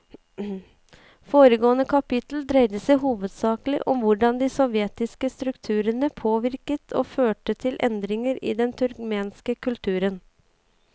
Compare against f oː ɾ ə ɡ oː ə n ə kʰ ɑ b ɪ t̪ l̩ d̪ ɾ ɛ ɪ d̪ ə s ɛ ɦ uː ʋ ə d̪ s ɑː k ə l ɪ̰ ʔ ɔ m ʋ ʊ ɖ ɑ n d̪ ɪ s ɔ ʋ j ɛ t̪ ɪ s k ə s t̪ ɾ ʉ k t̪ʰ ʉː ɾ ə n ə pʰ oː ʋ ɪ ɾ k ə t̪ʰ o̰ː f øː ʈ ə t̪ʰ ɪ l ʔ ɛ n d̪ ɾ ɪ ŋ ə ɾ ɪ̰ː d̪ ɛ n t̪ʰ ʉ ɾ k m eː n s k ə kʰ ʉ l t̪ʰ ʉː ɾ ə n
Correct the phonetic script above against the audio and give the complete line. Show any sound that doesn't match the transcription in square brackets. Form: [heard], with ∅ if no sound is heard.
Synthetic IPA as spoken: f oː ɾ ə ɡ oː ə n ə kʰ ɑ [p] ɪ t̪ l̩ d̪ ɾ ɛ ɪ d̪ ə s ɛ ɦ uː ʋ ə d̪ s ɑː k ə l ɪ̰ ʔ ɔ m ʋ ʊ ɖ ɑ n d̪ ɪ s ɔ ʋ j ɛ t̪ ɪ s k ə s t̪ ɾ ʉ k t̪ʰ ʉː ɾ ə n ə pʰ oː ʋ ɪ ɾ k ə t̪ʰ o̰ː f øː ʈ ə t̪ʰ ɪ l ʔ ɛ n d̪ ɾ ɪ ŋ ə ɾ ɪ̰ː d̪ ɛ n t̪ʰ ʉ ɾ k m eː n s k ə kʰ ʉ l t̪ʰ ʉː ɾ ə n